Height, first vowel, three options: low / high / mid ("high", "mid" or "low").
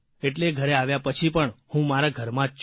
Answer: mid